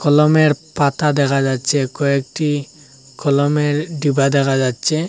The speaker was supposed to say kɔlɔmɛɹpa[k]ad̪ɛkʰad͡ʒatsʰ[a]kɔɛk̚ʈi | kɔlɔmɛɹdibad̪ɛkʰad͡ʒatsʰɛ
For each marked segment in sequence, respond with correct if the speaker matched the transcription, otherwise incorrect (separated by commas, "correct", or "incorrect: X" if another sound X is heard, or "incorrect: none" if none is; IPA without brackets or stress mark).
incorrect: t, incorrect: ɛ